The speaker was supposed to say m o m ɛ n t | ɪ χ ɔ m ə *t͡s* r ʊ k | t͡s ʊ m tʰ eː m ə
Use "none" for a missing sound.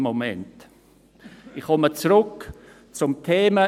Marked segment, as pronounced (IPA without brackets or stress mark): t͡s